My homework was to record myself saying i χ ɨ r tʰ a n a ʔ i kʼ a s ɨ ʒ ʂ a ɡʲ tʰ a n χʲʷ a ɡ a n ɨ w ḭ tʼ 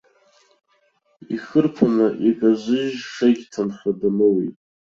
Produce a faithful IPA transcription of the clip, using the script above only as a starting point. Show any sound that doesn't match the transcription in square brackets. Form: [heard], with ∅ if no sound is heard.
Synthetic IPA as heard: i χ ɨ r [pʰ] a n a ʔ i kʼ a [z] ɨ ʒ ʂ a ɡʲ tʰ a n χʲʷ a [d] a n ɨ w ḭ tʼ